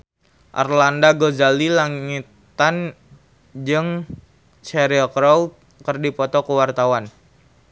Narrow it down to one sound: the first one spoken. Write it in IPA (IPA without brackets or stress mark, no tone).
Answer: ʔ